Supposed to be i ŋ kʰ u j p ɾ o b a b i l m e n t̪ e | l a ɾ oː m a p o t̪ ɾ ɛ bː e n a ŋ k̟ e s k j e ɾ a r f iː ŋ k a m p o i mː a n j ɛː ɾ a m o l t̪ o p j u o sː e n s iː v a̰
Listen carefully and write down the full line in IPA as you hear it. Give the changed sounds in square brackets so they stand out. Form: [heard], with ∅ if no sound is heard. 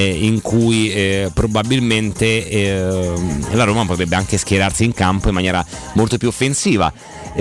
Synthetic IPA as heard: i ŋ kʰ u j p ɾ o b a b i l m e n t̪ e | l a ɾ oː m a p o t̪ ɾ ɛ bː e [∅] a ŋ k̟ e s k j e ɾ a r [s] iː ŋ k a m p o i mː a n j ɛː ɾ a m o l t̪ o p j u o [fː] e n s iː v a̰